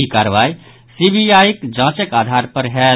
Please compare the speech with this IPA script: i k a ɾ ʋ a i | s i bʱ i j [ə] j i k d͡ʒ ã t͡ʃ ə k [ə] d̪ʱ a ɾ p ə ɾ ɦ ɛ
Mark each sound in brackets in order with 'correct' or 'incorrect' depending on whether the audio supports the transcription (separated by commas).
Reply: incorrect, incorrect